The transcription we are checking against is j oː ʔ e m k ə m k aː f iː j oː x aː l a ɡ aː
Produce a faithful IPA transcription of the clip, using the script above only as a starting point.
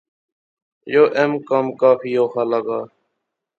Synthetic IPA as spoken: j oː ʔ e m k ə m k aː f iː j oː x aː l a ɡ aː